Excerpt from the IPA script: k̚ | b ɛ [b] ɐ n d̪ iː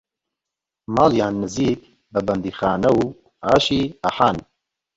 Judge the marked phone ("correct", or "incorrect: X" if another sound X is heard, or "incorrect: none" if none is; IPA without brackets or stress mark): correct